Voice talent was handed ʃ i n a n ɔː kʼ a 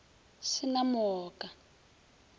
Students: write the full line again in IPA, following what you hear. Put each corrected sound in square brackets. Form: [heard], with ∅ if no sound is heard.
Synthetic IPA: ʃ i n a [m] ɔː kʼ a